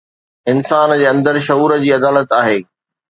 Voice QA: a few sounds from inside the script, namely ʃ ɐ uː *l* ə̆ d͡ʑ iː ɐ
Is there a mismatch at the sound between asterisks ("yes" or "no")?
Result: yes